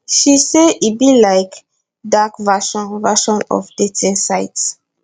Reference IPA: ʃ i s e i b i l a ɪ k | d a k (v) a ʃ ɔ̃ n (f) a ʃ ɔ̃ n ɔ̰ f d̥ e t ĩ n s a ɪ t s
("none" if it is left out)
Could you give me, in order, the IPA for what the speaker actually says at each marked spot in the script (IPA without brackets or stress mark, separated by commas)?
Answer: v, v